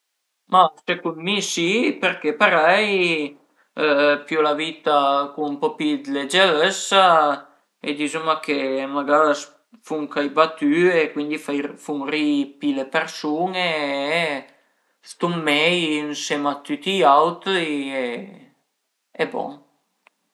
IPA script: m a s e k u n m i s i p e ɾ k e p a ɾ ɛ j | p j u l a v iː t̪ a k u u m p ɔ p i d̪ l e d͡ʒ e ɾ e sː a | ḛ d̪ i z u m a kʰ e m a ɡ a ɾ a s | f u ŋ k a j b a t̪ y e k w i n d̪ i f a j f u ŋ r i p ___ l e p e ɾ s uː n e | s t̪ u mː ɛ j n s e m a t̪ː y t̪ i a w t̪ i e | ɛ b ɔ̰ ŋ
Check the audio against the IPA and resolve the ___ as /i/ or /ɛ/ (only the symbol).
i